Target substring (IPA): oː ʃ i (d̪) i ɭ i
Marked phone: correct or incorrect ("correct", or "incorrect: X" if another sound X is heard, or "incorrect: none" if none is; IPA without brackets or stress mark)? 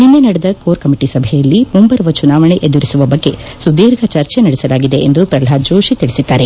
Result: incorrect: t̪